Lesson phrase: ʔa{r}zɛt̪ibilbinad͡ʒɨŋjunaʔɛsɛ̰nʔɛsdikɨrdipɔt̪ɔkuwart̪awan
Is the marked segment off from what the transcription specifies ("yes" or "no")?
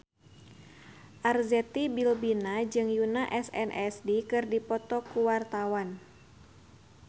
no